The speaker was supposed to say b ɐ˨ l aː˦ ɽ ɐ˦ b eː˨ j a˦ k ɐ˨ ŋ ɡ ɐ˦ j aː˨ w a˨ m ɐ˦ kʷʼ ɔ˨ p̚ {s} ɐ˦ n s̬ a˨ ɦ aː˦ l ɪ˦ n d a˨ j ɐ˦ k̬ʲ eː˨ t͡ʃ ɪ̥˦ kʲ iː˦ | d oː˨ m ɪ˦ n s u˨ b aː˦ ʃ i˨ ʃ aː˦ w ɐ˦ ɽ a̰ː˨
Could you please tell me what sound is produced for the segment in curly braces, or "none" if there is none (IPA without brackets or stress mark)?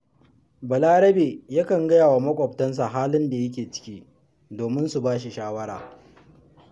t